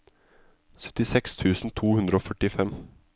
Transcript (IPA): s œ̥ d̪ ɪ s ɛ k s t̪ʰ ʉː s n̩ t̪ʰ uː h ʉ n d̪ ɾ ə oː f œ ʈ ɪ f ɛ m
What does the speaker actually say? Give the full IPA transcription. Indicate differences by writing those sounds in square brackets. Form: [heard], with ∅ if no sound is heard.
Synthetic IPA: s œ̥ [t̪] ɪ s ɛ k s t̪ʰ ʉː s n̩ t̪ʰ uː h ʉ n d̪ ɾ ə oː f œ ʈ ɪ f ɛ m